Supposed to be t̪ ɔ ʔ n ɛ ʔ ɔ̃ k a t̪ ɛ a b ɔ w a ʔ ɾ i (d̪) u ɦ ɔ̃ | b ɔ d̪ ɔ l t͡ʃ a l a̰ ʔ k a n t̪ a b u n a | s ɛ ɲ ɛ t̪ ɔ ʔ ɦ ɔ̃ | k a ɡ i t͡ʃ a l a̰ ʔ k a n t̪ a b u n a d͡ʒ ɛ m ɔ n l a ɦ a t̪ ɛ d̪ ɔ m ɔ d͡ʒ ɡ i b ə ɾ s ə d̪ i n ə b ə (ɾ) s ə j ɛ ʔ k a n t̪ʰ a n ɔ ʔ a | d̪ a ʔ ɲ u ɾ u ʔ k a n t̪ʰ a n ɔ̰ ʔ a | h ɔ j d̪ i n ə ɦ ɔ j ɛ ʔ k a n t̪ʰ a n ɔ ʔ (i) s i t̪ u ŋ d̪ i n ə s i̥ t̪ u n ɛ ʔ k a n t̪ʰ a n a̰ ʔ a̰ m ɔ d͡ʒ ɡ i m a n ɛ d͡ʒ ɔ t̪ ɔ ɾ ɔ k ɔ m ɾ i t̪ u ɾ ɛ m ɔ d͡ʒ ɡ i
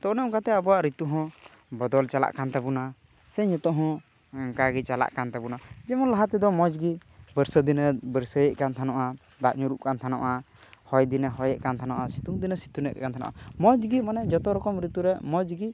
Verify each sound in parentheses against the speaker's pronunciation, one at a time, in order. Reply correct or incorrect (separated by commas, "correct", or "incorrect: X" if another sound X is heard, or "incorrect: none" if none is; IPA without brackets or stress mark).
incorrect: t̪, correct, incorrect: a